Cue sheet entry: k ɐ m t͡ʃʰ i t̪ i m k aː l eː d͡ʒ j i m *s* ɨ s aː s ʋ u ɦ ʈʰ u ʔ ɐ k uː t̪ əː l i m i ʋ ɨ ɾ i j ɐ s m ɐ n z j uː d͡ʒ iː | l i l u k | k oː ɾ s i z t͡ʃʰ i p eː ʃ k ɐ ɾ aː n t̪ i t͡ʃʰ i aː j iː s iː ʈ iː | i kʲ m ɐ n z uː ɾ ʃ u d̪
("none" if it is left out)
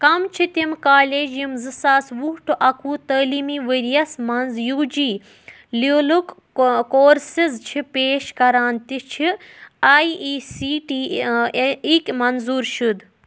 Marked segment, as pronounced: z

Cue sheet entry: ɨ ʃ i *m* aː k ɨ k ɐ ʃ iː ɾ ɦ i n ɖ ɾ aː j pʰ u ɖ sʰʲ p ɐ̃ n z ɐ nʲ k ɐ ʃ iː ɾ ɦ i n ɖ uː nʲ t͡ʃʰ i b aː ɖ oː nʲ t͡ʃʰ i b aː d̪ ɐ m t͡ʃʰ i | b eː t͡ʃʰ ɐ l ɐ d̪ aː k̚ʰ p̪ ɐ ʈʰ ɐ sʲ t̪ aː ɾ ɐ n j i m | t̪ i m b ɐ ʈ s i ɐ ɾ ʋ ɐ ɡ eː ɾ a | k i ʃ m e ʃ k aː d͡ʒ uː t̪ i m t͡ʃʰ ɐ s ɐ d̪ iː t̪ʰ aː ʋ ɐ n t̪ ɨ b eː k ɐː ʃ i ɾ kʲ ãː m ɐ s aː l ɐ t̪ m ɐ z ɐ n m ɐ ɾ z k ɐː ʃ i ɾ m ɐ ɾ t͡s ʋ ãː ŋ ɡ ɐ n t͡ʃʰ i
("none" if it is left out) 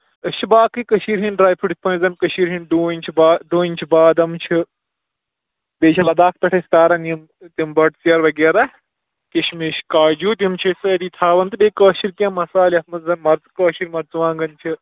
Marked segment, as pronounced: b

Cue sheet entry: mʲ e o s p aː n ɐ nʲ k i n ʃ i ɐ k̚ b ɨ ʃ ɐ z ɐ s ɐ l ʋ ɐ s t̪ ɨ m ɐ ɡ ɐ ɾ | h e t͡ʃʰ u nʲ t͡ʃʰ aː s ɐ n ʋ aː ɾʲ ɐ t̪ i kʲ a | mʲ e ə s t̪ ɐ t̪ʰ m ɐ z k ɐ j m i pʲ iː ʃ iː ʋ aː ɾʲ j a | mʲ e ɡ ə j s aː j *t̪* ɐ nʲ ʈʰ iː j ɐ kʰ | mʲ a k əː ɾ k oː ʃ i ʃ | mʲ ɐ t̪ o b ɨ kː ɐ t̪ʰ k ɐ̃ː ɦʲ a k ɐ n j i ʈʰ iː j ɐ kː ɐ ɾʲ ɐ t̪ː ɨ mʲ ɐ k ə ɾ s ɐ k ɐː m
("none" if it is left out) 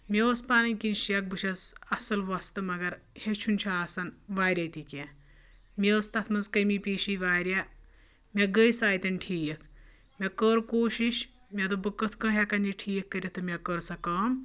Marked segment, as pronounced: t̪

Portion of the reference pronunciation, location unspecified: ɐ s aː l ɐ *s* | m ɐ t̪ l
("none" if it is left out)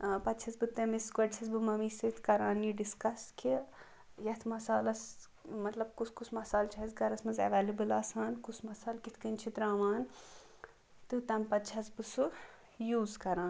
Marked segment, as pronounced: s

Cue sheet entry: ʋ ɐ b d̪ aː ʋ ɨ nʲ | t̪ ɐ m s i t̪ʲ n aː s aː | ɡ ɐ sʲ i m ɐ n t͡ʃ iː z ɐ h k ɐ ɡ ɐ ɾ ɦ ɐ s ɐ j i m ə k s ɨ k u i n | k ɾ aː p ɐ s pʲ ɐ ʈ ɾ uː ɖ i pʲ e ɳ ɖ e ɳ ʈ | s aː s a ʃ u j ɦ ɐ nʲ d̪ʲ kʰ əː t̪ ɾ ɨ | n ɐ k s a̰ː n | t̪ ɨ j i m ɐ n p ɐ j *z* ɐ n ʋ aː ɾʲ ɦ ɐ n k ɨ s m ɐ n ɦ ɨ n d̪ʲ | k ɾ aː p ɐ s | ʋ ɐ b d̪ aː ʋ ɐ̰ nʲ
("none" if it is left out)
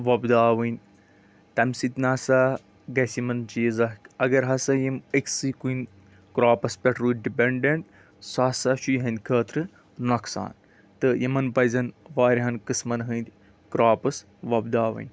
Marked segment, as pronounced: z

